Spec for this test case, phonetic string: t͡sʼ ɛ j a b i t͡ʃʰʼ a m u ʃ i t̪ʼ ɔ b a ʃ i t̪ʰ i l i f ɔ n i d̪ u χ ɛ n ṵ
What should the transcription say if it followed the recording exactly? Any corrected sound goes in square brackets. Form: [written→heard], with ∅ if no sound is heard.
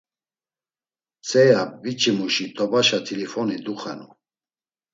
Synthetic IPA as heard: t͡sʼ ɛ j a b i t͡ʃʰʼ [a→i] m u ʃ i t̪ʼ ɔ b a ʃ [i→a] t̪ʰ i l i f ɔ n i d̪ u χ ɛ n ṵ